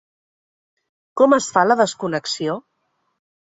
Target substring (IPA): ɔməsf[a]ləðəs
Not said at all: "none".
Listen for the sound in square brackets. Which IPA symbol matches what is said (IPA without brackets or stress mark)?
a